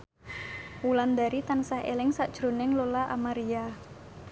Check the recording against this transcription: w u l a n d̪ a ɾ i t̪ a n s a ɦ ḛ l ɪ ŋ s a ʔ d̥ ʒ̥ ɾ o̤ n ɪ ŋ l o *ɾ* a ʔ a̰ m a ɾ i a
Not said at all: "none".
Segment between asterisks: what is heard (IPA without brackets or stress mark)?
l